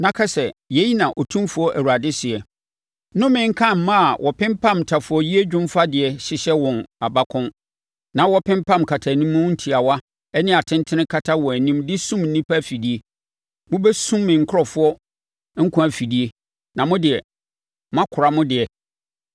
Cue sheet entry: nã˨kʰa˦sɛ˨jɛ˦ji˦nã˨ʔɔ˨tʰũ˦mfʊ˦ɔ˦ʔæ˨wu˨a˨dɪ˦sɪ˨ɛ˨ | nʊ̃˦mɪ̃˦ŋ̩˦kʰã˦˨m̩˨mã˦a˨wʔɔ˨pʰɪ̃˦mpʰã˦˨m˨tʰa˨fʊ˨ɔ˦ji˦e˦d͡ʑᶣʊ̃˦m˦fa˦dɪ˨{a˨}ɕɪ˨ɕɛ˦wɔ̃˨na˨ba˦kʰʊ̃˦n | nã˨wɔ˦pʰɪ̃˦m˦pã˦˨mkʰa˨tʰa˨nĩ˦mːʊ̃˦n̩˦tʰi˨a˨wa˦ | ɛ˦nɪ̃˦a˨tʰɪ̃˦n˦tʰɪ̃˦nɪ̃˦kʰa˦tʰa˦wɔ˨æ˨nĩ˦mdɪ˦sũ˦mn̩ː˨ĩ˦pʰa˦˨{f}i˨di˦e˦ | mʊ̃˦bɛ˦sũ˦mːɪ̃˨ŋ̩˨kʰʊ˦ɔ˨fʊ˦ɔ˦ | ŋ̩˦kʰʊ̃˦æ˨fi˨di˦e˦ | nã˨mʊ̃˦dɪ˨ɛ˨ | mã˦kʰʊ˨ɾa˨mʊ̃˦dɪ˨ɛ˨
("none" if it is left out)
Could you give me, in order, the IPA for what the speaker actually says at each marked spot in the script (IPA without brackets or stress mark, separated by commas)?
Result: ɛ˨, f